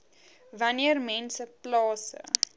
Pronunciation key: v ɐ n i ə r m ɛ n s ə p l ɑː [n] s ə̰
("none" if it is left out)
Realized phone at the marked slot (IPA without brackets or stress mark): none